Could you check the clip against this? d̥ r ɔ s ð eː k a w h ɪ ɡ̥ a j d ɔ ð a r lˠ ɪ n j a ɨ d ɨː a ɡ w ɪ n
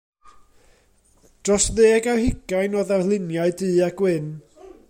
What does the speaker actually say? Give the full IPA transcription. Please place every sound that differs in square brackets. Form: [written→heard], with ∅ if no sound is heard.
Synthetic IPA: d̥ r ɔ s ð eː [k→ɡ] a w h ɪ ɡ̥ a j [d→n] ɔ ð a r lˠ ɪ n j a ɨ d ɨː a ɡ w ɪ n